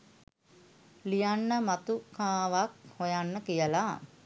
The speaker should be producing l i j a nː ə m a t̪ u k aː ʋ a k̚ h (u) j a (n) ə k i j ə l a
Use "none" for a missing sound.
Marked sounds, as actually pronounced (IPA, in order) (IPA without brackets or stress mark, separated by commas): o, nː